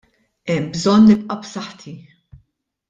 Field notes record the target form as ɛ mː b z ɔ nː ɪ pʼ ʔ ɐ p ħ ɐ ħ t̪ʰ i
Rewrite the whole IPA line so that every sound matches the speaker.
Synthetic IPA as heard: ɛ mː b z ɔ nː ɪ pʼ ʔ ɐ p s ɐ ħ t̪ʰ i